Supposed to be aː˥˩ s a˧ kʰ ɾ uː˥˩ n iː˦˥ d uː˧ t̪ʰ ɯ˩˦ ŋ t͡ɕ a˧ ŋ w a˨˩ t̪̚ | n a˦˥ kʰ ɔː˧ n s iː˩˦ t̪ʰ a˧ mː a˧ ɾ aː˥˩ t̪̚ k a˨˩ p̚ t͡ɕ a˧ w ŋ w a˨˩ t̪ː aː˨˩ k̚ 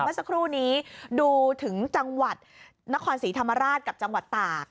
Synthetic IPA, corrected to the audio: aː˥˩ s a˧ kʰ ɾ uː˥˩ n iː˦˥ d uː˧ t̪ʰ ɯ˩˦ ŋ t͡ɕ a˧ ŋ w a˨˩ t̪̚ | n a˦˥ kʰ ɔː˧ n s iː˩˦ t̪ʰ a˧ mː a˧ ɾ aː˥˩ t̪̚ k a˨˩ p̚ t͡ɕ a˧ ŋ w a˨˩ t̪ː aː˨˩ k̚